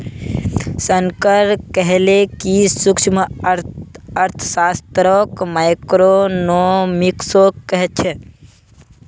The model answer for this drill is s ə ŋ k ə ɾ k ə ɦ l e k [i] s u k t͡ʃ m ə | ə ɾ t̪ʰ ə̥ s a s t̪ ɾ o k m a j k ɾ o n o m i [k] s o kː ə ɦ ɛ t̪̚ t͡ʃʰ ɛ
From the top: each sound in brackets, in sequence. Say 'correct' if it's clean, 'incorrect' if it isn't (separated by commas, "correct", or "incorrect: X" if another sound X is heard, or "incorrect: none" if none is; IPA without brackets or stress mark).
correct, correct